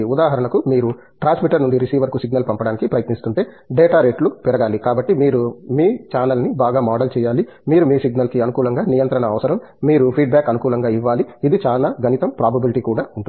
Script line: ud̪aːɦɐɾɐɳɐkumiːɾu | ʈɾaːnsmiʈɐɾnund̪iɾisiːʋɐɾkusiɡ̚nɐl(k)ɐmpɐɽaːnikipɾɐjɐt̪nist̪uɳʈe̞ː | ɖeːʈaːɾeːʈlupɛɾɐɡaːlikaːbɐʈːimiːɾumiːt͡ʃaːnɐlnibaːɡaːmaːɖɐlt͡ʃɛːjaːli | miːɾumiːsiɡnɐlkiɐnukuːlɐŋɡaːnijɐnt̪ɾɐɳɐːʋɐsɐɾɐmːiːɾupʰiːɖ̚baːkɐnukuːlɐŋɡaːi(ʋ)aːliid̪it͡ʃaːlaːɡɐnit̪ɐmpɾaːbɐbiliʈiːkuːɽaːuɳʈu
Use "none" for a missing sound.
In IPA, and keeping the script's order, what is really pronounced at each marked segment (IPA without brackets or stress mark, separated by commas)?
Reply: p, ʋː